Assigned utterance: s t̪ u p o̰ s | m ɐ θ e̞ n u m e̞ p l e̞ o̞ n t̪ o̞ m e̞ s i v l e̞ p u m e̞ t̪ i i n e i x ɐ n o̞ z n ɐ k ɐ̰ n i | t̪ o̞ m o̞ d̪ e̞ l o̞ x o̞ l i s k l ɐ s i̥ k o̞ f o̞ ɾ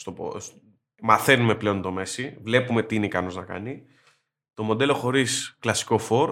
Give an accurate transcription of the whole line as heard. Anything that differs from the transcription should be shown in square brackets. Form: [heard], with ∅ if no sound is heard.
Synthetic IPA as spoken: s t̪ [o] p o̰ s | m ɐ θ e̞ n u m e̞ p l e̞ o̞ n t̪ o̞ m e̞ s i v l e̞ p u m e̞ t̪ i i n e i [k] ɐ n o̞ z n ɐ k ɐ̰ n i | t̪ o̞ m o̞ d̪ e̞ l o̞ x o̞ [ɾ] i s k l ɐ s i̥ k o̞ f o̞ ɾ